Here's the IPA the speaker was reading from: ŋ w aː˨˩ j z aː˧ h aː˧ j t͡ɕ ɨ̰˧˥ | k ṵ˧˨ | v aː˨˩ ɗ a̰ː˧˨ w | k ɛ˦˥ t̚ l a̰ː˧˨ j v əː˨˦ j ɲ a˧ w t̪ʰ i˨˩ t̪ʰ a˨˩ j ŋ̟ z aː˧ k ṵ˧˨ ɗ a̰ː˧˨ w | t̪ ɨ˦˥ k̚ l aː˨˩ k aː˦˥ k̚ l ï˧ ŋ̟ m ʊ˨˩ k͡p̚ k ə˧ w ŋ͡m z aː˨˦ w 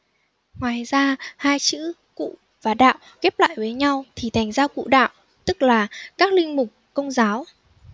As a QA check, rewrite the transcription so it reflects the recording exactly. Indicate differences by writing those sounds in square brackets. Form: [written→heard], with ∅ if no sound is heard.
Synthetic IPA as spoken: ŋ w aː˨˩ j z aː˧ h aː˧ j t͡ɕ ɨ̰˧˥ | k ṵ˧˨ | v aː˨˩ ɗ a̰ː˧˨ w | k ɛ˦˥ [t̚→p̚] l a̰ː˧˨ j v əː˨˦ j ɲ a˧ w t̪ʰ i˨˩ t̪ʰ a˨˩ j ŋ̟ z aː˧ k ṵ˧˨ ɗ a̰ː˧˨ w | t̪ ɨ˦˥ k̚ l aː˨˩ k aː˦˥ k̚ l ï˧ ŋ̟ m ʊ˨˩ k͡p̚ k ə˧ w ŋ͡m z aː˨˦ w

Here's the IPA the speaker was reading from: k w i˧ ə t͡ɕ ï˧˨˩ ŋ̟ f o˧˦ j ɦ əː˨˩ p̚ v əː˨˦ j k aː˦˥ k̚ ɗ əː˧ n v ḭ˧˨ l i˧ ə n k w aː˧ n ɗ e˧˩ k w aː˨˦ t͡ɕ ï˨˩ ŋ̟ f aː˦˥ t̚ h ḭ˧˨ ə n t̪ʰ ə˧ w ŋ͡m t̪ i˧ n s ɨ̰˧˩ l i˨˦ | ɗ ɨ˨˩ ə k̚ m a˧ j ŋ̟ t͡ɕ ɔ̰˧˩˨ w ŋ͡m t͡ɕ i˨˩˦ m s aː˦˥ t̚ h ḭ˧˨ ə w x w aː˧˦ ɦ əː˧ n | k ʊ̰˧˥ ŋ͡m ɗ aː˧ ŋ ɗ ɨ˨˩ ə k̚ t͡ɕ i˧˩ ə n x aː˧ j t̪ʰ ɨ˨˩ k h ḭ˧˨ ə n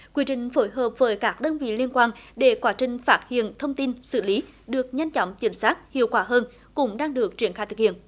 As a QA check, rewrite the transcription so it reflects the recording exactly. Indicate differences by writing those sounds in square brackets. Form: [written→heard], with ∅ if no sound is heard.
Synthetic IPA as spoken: k w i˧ ə t͡ɕ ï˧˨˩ ŋ̟ f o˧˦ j ɦ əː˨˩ p̚ v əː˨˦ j k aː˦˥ k̚ ɗ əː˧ n v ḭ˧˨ l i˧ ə n k w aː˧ n ɗ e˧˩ k w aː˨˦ t͡ɕ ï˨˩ ŋ̟ f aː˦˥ t̚ h ḭ˧˨ ə n t̪ʰ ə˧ w ŋ͡m t̪ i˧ n s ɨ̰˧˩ l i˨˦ | ɗ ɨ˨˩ ə k̚ [m→ɲ] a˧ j ŋ̟ t͡ɕ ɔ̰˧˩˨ w ŋ͡m t͡ɕ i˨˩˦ m s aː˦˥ t̚ h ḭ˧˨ ə w [x→k] w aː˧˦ ɦ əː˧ n | k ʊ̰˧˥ ŋ͡m ɗ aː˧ ŋ ɗ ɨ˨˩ ə k̚ t͡ɕ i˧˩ ə n x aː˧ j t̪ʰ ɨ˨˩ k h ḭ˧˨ ə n

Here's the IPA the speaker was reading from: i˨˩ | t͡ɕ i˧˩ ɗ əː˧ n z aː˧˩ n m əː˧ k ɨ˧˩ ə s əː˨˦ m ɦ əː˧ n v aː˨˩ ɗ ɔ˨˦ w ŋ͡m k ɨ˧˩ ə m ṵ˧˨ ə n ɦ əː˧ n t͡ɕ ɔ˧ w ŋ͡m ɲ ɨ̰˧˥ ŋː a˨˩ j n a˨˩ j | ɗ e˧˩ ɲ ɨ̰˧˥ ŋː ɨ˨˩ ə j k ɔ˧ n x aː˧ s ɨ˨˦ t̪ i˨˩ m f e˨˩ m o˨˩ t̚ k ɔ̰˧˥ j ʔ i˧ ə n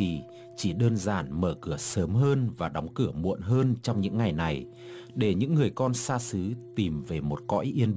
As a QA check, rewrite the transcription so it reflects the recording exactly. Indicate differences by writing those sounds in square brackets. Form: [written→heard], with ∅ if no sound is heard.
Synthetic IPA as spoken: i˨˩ | t͡ɕ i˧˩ ɗ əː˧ n z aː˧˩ n m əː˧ k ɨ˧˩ ə s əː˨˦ m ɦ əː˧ n v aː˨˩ ɗ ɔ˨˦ w ŋ͡m k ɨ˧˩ ə m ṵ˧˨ ə n ɦ əː˧ n t͡ɕ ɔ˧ w ŋ͡m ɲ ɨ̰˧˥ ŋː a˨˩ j n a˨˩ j | ɗ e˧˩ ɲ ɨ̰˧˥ ŋː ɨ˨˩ ə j k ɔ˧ n [x→s] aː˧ s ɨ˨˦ t̪ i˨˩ m [f→v] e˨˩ m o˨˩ t̚ k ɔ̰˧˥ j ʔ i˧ ə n

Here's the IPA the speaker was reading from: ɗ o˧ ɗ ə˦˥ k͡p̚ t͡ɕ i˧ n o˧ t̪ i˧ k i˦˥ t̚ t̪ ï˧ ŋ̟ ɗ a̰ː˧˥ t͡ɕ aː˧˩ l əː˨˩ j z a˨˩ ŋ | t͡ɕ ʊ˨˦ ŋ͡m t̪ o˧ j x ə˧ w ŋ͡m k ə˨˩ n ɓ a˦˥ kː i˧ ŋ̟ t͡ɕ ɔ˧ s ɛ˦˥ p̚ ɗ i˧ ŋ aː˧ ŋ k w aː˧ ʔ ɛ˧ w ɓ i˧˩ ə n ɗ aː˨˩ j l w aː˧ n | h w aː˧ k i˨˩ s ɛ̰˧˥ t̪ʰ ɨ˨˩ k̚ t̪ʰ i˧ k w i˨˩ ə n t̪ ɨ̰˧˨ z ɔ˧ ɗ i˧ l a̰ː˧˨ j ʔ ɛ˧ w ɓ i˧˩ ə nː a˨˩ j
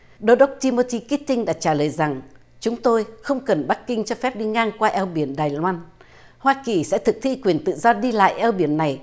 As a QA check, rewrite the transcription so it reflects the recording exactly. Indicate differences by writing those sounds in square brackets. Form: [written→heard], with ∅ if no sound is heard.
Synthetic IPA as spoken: ɗ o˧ ɗ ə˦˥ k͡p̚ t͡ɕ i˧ [n→m] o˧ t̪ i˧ k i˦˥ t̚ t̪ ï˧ ŋ̟ ɗ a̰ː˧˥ t͡ɕ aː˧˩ l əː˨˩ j z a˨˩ ŋ | t͡ɕ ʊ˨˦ ŋ͡m t̪ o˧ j x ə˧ w ŋ͡m k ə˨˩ n ɓ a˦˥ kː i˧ ŋ̟ t͡ɕ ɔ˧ [s→f] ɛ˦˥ p̚ ɗ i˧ ŋ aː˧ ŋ k w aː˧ ʔ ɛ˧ w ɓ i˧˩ ə n ɗ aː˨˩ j l w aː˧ n | h w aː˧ k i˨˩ s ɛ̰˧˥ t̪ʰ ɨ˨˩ k̚ t̪ʰ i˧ k w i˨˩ ə n t̪ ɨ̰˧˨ z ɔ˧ ɗ i˧ l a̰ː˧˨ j ʔ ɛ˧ w ɓ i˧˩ ə nː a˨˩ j

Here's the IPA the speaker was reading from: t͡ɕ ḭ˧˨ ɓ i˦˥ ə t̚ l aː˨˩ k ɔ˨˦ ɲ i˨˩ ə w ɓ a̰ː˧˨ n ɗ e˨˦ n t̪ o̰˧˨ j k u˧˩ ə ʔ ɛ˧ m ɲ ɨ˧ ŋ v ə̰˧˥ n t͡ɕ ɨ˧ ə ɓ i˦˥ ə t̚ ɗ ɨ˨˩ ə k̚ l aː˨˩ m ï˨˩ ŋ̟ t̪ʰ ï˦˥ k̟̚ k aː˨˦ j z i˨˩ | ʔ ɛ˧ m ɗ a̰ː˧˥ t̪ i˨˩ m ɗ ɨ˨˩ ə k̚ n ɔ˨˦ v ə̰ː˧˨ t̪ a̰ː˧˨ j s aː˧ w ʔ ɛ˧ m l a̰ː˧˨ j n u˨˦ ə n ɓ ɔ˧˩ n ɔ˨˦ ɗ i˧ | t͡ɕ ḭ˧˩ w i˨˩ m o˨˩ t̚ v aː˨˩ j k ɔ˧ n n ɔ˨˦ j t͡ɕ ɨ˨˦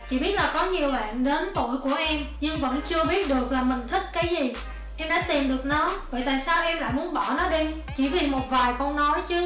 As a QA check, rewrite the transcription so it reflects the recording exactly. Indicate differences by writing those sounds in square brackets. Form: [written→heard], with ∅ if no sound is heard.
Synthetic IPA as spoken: t͡ɕ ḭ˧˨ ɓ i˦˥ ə t̚ l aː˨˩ k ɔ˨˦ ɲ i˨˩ ə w ɓ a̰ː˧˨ n ɗ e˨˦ n t̪ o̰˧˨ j k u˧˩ ə ʔ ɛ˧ m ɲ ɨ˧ ŋ v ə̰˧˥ n t͡ɕ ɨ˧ ə ɓ i˦˥ ə t̚ ɗ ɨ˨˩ ə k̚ l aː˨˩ m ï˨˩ ŋ̟ t̪ʰ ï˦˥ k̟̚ k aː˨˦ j z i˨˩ | ʔ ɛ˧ m ɗ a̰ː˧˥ t̪ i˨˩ m ɗ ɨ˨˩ ə k̚ n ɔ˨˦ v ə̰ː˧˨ t̪ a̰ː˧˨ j s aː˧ w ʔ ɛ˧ m l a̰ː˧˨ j [n→m] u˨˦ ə n ɓ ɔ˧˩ n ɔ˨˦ ɗ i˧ | t͡ɕ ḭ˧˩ [w→v] i˨˩ m o˨˩ t̚ v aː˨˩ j k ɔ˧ n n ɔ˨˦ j t͡ɕ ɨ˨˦

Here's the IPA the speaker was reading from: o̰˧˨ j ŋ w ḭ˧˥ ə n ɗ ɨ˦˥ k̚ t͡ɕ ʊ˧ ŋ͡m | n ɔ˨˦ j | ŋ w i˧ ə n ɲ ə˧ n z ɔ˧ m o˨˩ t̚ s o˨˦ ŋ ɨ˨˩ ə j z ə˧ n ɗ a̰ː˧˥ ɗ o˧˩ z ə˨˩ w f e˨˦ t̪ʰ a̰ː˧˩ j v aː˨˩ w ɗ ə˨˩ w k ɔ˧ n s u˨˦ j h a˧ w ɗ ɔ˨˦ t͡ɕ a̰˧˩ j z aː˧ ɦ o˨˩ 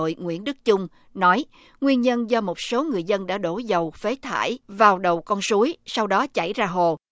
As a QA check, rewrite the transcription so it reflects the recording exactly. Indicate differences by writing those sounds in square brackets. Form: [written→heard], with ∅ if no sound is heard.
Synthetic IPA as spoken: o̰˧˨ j ŋ w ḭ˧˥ ə n ɗ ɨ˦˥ k̚ t͡ɕ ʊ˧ ŋ͡m | n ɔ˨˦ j | ŋ w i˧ ə n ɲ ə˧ n z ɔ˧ m o˨˩ t̚ s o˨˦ ŋ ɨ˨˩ ə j z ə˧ n ɗ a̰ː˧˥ ɗ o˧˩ z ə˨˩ w f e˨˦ t̪ʰ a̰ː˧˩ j v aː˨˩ w ɗ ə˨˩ w k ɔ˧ n s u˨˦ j [h→s] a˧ w ɗ ɔ˨˦ t͡ɕ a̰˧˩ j z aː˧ ɦ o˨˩

